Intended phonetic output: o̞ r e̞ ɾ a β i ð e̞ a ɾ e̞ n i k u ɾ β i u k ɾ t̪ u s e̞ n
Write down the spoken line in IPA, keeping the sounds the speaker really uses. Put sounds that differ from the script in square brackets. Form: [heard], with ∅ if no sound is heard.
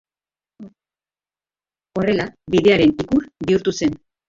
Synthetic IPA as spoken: o̞ r e̞ [l] a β i ð e̞ a ɾ e̞ n i k u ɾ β i u [∅] ɾ t̪ u s e̞ n